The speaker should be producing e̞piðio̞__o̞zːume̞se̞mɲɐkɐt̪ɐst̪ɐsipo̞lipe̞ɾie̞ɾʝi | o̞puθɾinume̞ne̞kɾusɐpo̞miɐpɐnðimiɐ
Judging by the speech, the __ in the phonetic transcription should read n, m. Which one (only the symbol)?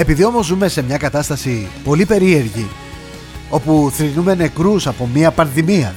m